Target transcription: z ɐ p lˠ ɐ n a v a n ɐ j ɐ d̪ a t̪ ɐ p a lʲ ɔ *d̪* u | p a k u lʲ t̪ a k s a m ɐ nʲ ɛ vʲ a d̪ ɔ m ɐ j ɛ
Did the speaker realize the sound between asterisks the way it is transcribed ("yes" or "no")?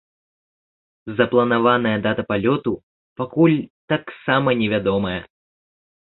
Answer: no